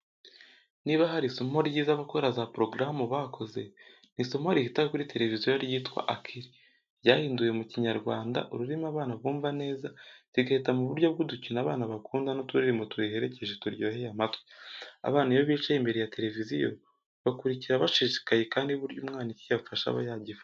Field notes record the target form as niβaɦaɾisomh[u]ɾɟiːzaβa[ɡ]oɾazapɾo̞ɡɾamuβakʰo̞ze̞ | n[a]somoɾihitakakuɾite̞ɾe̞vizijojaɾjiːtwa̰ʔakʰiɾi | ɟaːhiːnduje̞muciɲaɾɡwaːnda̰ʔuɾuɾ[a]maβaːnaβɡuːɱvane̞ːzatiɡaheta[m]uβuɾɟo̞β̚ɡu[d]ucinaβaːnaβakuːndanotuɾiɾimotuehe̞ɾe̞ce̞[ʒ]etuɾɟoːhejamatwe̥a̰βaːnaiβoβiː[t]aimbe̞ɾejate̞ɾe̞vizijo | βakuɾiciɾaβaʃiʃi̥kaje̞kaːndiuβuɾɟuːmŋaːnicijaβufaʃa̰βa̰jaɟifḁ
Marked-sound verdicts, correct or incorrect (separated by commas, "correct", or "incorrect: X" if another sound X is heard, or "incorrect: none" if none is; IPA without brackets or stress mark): incorrect: o, incorrect: k, incorrect: i, incorrect: i, correct, correct, correct, incorrect: t͡ʃ